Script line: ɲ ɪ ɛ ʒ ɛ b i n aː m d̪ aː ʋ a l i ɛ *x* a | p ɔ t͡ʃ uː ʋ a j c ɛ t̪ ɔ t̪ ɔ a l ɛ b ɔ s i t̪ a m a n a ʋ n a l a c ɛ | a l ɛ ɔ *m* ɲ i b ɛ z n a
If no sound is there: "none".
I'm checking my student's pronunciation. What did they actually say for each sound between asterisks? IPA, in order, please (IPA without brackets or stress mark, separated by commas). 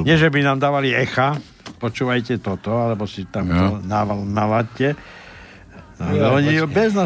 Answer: x, none